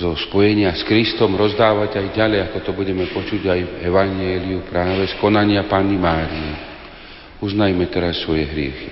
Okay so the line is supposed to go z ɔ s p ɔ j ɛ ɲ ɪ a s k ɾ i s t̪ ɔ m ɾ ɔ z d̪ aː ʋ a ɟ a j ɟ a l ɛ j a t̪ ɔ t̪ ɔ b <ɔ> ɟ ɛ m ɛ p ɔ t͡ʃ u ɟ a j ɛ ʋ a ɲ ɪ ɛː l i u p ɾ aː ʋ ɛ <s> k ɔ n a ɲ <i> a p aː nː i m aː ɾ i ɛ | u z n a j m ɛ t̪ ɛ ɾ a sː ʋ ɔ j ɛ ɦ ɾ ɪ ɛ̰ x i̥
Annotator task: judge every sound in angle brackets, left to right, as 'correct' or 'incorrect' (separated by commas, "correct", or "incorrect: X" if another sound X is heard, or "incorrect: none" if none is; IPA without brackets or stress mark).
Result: incorrect: u, correct, incorrect: ɪ